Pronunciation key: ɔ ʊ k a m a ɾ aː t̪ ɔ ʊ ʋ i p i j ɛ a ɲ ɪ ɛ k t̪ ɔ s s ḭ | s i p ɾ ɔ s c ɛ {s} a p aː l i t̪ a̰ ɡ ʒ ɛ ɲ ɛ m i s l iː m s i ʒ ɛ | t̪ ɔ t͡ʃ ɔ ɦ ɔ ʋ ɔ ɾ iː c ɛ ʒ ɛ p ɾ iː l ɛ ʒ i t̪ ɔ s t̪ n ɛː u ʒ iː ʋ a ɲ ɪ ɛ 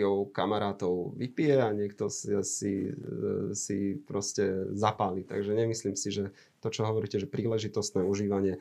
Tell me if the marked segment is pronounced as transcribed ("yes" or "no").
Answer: no